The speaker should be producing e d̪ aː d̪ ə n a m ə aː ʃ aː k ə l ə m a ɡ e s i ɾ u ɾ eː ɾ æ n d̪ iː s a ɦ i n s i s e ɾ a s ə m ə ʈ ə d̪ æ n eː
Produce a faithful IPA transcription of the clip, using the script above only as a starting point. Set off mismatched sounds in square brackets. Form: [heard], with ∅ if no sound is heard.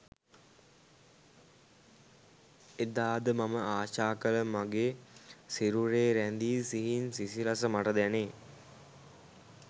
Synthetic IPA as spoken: e d̪ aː d̪ ə [m] a m ə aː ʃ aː k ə l ə m a ɡ e s i ɾ u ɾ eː ɾ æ n d̪ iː s [i] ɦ i n s i s [i] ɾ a s ə m [a] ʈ ə d̪ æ n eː